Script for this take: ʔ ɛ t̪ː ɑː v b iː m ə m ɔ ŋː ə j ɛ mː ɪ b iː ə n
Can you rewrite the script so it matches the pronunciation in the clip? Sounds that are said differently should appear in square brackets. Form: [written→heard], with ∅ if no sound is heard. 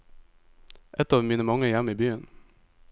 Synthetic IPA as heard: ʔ ɛ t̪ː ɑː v [b→m] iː [m→n] ə m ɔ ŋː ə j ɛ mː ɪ b [iː→yː] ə n